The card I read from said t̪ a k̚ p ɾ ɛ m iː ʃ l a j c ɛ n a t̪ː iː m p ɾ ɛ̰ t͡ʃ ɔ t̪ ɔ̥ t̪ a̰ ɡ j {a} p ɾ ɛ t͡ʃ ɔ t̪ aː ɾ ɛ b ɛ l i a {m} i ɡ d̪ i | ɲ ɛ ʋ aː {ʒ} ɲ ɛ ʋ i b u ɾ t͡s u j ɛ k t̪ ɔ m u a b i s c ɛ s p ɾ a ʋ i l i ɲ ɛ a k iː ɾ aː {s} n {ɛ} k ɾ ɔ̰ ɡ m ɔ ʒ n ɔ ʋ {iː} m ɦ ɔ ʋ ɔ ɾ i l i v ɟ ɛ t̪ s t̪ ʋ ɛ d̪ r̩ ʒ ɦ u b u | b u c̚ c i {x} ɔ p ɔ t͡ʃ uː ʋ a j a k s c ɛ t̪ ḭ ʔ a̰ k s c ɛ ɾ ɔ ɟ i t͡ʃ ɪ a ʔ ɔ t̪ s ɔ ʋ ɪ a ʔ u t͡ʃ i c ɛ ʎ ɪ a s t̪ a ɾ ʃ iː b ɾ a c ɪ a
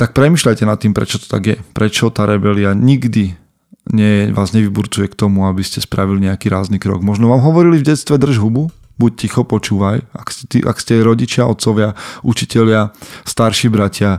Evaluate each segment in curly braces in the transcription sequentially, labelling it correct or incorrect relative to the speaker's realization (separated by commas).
incorrect, incorrect, incorrect, incorrect, incorrect, incorrect, correct